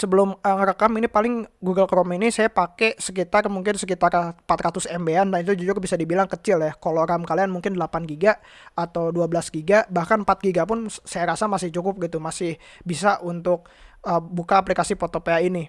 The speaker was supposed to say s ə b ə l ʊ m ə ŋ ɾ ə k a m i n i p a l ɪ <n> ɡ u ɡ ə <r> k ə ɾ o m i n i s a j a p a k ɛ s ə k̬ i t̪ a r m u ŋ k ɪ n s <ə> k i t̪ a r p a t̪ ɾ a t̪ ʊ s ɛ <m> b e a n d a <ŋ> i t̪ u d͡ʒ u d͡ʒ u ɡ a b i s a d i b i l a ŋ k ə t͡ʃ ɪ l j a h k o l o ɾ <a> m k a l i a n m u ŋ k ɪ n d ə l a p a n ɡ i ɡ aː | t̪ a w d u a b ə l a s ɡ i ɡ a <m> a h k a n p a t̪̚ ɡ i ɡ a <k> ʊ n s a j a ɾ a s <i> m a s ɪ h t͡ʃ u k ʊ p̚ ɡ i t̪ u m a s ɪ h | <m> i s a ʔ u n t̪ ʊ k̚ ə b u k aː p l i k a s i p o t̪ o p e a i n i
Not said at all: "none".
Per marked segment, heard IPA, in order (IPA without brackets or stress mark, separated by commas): ŋ, l, ə, m, n, a, b, p, a, b